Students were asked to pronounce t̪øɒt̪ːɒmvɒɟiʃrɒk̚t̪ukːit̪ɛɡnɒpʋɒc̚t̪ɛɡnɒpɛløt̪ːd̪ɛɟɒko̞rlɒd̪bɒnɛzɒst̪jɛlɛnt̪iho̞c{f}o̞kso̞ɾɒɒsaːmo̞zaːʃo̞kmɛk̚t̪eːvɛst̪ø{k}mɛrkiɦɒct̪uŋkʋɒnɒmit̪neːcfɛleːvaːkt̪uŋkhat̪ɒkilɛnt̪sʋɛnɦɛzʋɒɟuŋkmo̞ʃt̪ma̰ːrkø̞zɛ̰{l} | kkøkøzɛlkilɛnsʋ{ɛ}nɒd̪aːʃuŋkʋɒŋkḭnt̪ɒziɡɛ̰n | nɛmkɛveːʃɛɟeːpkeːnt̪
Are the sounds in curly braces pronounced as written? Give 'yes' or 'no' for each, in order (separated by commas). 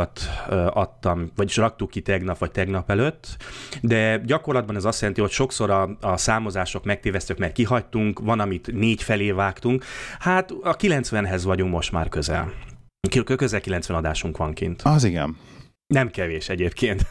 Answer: no, yes, yes, yes